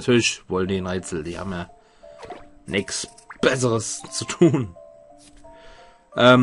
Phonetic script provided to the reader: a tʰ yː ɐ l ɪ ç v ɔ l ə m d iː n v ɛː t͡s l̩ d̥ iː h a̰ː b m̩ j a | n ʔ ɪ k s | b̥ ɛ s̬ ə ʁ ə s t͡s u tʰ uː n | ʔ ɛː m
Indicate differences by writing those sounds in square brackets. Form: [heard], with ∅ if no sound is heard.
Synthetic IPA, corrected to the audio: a tʰ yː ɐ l ɪ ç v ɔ l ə [n] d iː n [ʁ] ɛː t͡s l̩ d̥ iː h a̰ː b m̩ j a | n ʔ ɪ k s | b̥ ɛ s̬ ə ʁ ə s t͡s u tʰ uː n | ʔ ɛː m